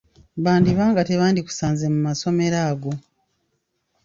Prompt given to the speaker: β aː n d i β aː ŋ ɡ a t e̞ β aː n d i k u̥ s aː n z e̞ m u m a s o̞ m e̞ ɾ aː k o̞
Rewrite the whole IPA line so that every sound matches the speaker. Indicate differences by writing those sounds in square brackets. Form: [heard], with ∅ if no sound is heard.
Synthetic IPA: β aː n d i β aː ŋ ɡ a t e̞ β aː n d i k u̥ s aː n z e̞ m u m a s o̞ m e̞ ɾ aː [ɡ] o̞